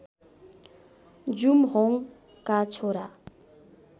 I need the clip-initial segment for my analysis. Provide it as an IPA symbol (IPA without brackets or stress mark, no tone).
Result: d͡z